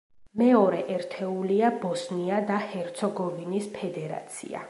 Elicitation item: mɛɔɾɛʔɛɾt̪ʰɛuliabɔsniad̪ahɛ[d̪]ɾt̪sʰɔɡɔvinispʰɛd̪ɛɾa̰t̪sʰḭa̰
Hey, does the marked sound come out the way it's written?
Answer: no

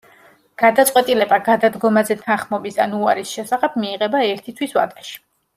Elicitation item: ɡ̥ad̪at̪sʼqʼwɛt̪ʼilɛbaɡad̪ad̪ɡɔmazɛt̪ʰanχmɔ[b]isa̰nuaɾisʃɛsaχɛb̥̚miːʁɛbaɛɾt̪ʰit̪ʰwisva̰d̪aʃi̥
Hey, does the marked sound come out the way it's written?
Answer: yes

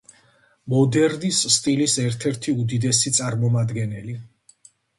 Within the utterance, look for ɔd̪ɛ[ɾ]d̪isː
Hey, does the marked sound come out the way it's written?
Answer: yes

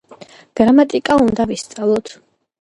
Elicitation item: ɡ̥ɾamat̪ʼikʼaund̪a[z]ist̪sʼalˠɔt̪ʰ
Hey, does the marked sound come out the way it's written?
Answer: no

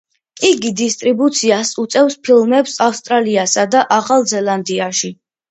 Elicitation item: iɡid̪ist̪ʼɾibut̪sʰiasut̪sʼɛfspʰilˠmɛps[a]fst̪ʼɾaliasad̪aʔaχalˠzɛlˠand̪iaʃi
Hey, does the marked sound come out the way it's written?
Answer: yes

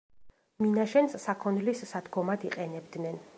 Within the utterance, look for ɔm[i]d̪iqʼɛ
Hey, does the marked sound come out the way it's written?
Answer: no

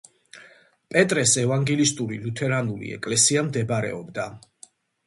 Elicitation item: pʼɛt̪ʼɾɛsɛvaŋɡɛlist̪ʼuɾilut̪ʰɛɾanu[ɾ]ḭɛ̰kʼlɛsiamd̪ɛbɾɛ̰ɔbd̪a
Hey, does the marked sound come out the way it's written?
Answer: no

